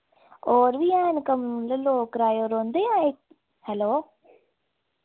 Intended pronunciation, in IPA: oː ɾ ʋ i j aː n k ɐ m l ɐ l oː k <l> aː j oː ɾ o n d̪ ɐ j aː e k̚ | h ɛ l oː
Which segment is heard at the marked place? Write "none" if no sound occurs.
ɾ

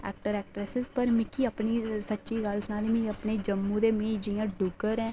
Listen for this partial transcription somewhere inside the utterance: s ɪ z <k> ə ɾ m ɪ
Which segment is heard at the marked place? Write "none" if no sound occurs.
p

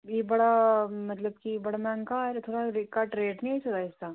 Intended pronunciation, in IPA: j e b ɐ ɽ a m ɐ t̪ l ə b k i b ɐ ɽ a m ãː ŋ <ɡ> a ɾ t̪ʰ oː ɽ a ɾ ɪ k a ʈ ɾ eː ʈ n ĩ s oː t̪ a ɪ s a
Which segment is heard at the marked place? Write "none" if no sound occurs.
k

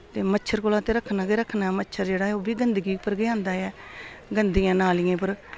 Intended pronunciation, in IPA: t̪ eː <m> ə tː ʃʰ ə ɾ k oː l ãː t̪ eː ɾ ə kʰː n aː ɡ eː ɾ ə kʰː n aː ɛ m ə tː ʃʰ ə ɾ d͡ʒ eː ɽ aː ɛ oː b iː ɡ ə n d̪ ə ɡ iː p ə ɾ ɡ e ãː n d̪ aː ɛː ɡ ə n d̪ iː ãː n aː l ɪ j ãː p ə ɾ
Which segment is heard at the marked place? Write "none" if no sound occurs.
m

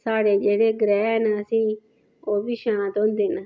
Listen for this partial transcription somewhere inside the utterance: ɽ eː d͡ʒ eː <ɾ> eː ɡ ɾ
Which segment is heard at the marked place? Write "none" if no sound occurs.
ɽ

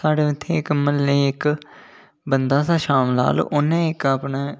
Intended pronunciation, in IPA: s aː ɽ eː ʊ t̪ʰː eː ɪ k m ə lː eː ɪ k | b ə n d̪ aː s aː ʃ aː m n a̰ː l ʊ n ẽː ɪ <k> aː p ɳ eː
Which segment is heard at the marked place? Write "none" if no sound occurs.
k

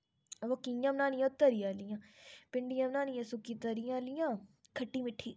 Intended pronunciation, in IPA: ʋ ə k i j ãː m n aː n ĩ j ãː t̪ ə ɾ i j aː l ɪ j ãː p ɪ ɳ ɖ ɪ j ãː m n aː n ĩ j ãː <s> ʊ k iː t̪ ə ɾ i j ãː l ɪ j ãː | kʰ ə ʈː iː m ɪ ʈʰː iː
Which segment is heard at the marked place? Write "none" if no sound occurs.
s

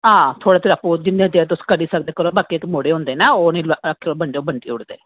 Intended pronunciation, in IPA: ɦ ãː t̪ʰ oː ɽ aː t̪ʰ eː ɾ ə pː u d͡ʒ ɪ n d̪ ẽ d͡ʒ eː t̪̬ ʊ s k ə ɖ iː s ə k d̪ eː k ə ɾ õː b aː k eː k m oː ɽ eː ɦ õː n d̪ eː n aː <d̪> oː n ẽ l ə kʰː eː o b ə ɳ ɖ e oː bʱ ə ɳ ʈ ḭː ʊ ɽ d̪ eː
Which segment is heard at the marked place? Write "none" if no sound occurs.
none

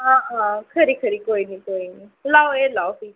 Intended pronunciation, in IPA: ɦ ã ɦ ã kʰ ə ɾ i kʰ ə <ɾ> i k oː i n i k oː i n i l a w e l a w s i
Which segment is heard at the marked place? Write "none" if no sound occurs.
ɾ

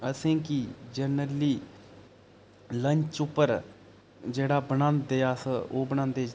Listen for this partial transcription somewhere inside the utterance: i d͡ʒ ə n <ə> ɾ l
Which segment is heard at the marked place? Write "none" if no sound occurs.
ə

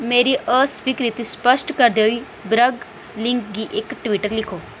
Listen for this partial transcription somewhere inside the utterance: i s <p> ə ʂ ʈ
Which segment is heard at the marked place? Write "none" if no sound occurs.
p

